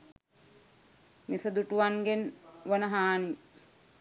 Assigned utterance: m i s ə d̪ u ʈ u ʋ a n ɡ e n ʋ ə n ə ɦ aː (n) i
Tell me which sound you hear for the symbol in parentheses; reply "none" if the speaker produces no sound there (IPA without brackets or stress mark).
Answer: n